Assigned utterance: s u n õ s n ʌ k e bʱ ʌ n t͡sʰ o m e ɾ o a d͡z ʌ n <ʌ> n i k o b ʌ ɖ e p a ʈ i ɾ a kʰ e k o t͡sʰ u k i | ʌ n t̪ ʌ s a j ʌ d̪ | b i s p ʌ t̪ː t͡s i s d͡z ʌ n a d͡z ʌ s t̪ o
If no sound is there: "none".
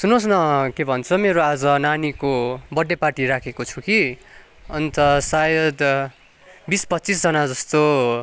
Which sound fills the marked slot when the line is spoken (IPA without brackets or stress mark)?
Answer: a